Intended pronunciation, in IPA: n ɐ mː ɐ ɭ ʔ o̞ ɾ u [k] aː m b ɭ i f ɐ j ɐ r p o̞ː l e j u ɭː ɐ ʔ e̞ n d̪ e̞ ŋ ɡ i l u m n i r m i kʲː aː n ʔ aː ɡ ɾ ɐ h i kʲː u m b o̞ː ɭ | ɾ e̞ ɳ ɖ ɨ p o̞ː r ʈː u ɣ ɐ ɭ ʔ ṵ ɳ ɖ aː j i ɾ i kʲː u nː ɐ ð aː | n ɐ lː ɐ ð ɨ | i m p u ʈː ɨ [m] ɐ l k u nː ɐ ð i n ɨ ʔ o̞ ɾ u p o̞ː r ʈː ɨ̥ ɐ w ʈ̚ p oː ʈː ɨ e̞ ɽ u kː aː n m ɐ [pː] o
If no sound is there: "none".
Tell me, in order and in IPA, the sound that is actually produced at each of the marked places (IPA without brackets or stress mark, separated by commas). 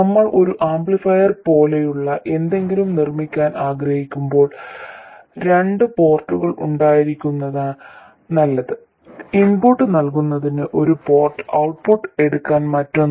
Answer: ʔ, n, tː